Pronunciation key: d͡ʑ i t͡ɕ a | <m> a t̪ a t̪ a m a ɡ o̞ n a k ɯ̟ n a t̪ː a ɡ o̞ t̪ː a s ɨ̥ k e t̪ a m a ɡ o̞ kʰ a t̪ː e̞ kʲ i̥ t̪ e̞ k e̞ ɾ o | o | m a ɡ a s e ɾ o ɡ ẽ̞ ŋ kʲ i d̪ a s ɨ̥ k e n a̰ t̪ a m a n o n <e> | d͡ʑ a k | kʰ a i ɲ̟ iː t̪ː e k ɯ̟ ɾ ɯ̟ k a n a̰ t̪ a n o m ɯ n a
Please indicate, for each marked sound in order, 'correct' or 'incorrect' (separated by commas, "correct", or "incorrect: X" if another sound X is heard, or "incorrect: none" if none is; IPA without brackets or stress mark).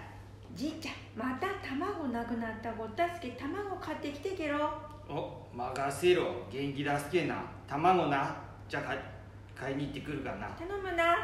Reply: correct, incorrect: a